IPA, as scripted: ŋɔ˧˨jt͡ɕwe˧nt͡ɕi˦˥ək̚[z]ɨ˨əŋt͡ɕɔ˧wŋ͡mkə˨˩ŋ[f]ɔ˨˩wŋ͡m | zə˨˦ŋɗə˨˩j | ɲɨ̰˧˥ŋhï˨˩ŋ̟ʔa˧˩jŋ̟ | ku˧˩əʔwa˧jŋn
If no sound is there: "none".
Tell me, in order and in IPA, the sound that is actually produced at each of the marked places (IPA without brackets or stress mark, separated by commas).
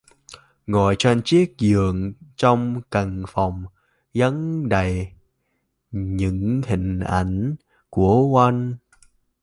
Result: z, f